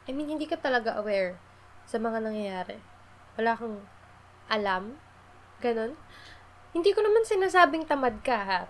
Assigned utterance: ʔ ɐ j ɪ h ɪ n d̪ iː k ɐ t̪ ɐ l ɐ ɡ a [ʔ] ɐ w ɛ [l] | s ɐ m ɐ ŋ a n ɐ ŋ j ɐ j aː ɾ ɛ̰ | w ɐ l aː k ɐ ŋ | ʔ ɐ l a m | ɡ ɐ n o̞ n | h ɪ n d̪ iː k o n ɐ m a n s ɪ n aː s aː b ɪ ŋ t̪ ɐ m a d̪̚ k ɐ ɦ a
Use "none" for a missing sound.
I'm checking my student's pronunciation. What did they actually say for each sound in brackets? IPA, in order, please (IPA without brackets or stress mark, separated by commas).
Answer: ʔ, ɹ